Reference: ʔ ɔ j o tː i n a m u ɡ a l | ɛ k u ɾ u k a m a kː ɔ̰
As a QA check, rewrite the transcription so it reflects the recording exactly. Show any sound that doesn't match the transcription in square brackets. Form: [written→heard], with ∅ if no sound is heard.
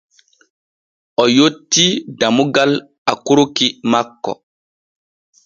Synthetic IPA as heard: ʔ ɔ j o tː i [n→d] a m u ɡ a l | [ɛ→a] k u ɾ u k [a→i] m a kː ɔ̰